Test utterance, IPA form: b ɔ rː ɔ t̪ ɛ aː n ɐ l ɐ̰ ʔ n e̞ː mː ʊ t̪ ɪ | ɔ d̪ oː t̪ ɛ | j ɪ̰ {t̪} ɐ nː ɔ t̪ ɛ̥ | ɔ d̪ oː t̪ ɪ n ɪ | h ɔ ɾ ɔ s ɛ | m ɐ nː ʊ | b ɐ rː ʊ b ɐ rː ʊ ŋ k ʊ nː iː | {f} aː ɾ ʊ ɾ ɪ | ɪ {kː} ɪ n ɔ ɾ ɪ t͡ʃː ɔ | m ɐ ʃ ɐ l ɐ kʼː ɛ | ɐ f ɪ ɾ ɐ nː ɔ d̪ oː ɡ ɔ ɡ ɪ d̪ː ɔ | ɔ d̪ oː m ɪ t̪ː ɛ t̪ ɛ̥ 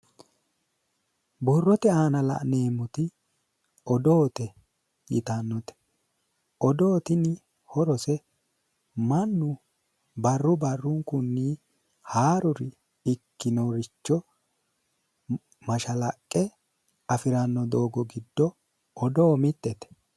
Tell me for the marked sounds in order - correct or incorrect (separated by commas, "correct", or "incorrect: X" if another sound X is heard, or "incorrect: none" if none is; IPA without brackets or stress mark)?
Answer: correct, incorrect: h, correct